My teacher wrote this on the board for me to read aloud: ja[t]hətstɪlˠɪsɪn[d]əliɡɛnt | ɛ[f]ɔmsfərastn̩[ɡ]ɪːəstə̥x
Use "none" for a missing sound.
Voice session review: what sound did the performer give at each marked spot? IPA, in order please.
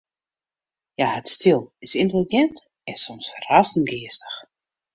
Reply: none, t, s, ɡ

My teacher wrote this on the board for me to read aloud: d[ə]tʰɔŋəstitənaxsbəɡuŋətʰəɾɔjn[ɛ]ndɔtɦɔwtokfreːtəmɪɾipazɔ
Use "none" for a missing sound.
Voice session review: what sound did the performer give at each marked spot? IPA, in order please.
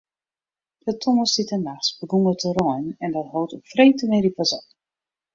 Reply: ə, ɛ

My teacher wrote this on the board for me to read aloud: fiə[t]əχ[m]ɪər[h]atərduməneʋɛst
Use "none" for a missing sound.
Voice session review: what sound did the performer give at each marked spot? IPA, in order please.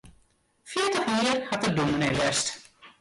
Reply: t, m, h

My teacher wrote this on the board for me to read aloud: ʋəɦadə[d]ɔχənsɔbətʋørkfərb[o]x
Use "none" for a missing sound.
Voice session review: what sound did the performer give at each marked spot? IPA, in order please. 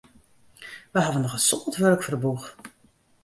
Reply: n, u

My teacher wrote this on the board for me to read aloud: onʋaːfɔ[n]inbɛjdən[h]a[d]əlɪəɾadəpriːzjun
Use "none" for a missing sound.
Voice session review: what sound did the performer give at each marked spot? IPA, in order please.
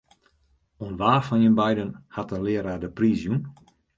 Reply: n, h, t

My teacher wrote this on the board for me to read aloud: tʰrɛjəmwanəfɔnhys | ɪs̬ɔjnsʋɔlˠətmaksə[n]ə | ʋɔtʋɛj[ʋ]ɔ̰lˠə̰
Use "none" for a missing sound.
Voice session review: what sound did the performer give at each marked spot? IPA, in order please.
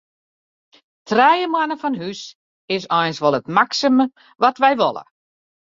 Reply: m, ʋ

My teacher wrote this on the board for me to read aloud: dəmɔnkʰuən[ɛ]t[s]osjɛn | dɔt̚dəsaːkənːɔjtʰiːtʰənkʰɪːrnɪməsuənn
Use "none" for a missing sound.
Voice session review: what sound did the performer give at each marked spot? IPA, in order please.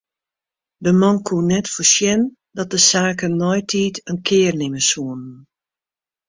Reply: ɛ, f

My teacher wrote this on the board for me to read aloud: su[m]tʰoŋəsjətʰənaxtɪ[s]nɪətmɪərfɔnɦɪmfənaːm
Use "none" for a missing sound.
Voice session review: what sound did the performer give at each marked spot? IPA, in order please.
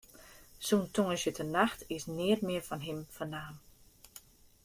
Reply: n, s

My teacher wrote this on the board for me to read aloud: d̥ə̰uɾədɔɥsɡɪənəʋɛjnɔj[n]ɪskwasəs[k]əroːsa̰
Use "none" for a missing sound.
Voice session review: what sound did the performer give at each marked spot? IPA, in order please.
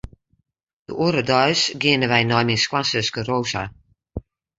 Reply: m, k

